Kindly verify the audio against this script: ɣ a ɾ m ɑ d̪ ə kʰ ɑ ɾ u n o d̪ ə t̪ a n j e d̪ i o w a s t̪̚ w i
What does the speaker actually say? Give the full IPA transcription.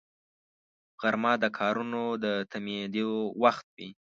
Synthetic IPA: ɣ a ɾ m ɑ d̪ ə kʰ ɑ ɾ u n o d̪ ə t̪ a m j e d̪ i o w a x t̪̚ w i